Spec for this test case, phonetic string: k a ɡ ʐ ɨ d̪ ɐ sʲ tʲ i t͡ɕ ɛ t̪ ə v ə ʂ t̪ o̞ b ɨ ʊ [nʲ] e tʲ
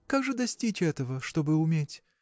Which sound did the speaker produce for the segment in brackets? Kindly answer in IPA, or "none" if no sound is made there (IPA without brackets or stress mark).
mʲ